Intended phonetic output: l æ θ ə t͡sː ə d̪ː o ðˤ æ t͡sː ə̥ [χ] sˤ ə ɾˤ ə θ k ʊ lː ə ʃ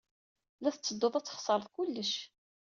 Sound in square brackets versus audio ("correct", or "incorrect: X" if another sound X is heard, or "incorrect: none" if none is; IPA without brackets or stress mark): correct